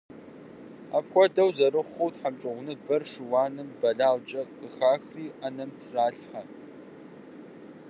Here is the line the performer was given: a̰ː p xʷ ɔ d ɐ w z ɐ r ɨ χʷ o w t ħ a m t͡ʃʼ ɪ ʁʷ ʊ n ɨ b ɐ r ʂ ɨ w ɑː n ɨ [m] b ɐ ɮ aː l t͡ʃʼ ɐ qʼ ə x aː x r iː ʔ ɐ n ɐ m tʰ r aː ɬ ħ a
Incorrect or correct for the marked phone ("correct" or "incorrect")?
correct